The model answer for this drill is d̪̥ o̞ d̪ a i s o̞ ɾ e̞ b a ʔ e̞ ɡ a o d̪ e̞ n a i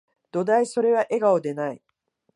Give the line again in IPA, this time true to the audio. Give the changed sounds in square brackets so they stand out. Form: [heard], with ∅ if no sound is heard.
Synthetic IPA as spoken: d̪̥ o̞ d̪ a i s o̞ ɾ e̞ [β] a ʔ e̞ ɡ a o d̪ e̞ n a i

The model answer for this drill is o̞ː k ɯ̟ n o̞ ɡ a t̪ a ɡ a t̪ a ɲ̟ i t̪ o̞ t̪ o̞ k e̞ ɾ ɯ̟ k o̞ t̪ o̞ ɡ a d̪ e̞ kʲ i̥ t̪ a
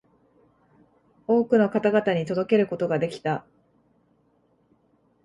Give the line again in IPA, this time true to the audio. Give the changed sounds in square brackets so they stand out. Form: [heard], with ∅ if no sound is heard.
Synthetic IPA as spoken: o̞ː k ɯ̟ n o̞ [k] a t̪ a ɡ a t̪ a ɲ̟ i t̪ o̞ [d̪] o̞ k e̞ ɾ ɯ̟ k o̞ t̪ o̞ ɡ a d̪ e̞ kʲ i̥ t̪ a

